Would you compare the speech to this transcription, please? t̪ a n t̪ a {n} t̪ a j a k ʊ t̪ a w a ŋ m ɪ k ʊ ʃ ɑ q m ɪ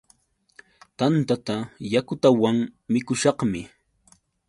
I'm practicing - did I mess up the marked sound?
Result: yes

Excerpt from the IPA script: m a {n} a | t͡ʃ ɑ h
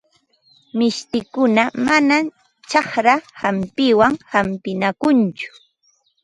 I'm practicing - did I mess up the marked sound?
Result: no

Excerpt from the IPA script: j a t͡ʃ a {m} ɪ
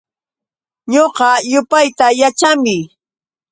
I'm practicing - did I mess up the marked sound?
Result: no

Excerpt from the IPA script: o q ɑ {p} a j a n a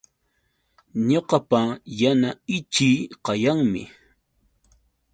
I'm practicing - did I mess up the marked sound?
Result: no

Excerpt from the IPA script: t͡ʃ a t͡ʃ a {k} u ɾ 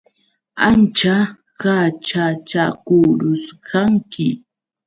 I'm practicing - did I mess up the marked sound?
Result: no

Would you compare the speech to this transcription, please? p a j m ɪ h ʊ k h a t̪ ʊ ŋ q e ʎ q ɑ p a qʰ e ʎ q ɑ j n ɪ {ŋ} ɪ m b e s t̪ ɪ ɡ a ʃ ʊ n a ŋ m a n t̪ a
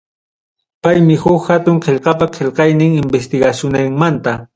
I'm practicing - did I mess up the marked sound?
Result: no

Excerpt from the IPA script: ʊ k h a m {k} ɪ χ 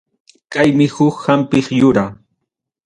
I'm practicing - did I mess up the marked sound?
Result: yes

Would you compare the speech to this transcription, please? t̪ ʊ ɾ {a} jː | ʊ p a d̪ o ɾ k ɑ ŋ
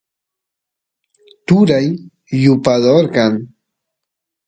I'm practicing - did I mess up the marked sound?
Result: no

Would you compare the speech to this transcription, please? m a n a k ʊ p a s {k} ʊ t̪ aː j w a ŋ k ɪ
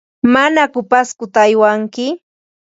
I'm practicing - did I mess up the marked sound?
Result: no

